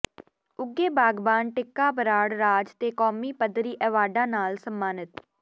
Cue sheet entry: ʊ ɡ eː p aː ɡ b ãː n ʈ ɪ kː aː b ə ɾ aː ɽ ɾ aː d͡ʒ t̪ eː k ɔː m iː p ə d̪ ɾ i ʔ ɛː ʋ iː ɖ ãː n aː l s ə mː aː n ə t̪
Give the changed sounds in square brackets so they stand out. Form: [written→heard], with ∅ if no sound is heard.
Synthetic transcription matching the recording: ʊ ɡ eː [p→b] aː ɡ b [ãː→aː] n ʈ ɪ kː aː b ə ɾ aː ɽ ɾ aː d͡ʒ t̪ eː k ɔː m iː p ə d̪ ɾ [i→iː] ʔ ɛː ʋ [iː→aː] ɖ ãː n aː l s ə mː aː n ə t̪

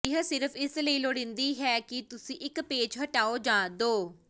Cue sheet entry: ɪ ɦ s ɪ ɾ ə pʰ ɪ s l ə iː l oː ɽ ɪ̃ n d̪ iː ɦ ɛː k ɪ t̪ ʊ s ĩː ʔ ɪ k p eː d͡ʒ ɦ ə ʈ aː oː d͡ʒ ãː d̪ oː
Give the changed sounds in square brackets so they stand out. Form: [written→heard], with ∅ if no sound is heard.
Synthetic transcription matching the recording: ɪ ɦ s ɪ ɾ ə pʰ ɪ s l ə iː l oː ɽ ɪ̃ n d̪ iː ɦ ɛː k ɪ t̪ ʊ s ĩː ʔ ɪ k p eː d͡ʒ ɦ ə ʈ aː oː d͡ʒ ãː d̪ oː

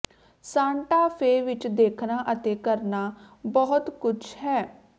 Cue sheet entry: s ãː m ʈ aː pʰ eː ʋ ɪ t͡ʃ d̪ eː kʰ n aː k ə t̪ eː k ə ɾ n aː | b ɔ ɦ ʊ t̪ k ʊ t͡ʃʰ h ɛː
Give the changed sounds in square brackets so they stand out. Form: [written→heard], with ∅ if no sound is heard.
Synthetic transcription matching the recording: s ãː [m→ɳ] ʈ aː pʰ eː ʋ ɪ t͡ʃ d̪ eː kʰ n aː [k→ʔ] ə t̪ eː k ə ɾ n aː | b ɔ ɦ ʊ t̪ k ʊ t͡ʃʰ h ɛː

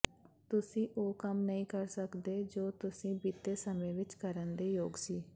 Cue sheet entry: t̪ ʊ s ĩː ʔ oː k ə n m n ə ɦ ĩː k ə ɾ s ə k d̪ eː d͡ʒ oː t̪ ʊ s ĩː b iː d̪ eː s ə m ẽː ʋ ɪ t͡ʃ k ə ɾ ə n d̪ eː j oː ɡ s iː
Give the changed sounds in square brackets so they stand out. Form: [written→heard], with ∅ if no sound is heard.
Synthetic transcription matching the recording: t̪ ʊ s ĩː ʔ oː k ə [n→∅] m n ə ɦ ĩː k ə ɾ s ə k d̪ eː d͡ʒ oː t̪ ʊ s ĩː b iː [d̪→t̪] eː s ə m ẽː ʋ ɪ t͡ʃ k ə ɾ ə n d̪ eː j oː ɡ s iː

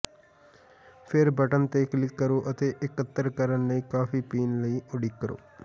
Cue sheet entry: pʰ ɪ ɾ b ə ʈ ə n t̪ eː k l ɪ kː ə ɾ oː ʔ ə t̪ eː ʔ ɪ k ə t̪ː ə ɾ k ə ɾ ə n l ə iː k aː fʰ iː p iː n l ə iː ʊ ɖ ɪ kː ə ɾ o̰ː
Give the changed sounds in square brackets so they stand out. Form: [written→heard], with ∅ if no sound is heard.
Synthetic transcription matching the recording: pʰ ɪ ɾ b ə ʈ ə n t̪ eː k l ɪ kː ə ɾ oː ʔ ə t̪ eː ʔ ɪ k ə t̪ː ə ɾ k ə ɾ ə n l ə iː k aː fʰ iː p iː n l ə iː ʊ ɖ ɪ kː ə ɾ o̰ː

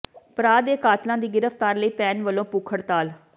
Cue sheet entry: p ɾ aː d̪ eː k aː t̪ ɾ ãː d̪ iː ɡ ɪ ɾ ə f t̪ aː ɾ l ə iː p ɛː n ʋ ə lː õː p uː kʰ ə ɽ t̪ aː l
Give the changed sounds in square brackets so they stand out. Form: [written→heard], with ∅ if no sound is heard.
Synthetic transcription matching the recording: p ɾ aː d̪ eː k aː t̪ [ɾ→l] ãː d̪ iː ɡ ɪ ɾ ə f t̪ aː ɾ l ə iː p ɛː n ʋ ə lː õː p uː kʰ ə ɽ t̪ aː l

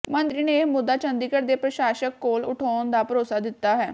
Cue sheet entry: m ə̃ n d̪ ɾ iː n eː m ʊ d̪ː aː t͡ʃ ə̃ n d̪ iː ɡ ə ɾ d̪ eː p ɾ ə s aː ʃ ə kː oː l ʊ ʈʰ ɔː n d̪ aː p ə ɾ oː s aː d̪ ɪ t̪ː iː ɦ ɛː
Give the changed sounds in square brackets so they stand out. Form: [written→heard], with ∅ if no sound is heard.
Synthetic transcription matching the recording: m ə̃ n d̪ ɾ iː n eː m ʊ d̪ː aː t͡ʃ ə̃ n d̪ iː [ɡ→k] ə ɾ d̪ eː p ɾ ə [s→ʃ] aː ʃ ə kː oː l ʊ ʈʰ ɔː n d̪ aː p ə ɾ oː s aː d̪ ɪ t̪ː [iː→aː] ɦ ɛː

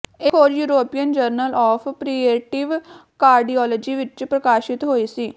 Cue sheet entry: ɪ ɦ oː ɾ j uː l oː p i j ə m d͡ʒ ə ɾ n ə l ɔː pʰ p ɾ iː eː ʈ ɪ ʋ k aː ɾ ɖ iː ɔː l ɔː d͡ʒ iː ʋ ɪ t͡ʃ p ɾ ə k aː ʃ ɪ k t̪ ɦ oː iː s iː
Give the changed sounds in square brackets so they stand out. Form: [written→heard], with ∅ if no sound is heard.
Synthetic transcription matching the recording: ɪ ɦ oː ɾ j uː [l→ɾ] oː p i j ə [m→n] d͡ʒ ə ɾ n ə l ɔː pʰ p ɾ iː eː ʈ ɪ ʋ k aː ɾ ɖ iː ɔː l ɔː d͡ʒ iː ʋ ɪ t͡ʃ p ɾ ə k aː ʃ ɪ [k→∅] t̪ ɦ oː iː s iː

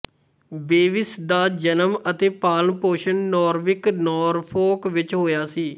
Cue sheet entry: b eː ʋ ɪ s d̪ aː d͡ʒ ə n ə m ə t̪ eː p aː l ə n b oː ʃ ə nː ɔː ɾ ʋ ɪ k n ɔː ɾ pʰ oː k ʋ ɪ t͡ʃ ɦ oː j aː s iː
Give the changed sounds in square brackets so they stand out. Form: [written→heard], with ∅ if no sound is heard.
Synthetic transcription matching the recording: b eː ʋ ɪ s d̪ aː d͡ʒ ə n ə m ə t̪ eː p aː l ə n [b→p] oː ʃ ə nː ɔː ɾ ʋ ɪ k n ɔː ɾ pʰ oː k ʋ ɪ t͡ʃ ɦ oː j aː s iː

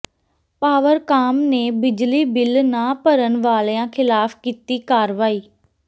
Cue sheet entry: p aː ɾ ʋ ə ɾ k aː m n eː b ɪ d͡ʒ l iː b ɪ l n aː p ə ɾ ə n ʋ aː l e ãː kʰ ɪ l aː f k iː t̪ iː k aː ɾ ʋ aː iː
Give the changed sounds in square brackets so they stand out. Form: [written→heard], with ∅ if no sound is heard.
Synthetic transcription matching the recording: p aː [ɾ→∅] ʋ ə ɾ k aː m n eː b ɪ d͡ʒ l iː b ɪ l n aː p ə ɾ ə n ʋ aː l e ãː kʰ ɪ l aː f k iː t̪ iː k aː ɾ ʋ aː iː

